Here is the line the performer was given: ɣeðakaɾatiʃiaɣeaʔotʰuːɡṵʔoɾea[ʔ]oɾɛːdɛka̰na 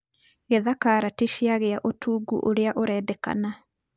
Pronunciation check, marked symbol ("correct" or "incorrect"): correct